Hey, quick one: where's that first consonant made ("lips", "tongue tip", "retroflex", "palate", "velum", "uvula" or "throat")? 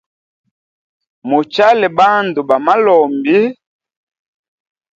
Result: lips